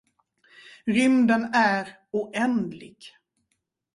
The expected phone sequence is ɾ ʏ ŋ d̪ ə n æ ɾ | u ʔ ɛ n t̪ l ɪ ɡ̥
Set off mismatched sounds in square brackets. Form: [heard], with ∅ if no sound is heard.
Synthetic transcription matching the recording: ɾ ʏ [m] d̪ ə n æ ɾ | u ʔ ɛ n [d̪] l ɪ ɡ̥